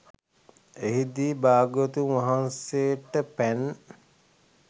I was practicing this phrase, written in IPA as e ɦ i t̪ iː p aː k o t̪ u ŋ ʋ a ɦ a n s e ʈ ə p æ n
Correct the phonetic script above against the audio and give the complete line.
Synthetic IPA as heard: e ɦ i d̪ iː b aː ɡ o t̪ u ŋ ʋ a ɦ a n s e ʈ ə p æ n